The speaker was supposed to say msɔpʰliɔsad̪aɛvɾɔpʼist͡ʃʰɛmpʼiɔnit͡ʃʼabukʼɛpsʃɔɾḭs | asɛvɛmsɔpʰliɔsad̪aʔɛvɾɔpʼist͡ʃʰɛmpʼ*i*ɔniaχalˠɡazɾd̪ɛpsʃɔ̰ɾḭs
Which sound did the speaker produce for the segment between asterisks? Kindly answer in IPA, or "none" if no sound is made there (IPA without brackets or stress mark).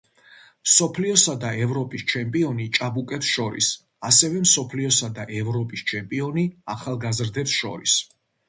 i